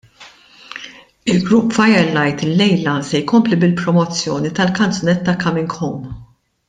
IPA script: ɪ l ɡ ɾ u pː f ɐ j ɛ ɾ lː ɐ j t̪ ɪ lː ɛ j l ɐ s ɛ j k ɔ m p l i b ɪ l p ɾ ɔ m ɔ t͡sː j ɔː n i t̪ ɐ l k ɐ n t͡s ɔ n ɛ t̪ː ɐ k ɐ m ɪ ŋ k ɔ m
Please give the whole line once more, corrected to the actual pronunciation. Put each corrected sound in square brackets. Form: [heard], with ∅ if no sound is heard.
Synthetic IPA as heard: ɪ l ɡ ɾ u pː f ɐ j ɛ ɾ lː ɐ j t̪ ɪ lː ɛ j l ɐ s ɛ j k ɔ m p l i b ɪ l p ɾ ɔ m ɔ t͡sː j ɔː n i t̪ ɐ l k ɐ n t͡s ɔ n ɛ t̪ː ɐ k ɐ m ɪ ŋ k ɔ m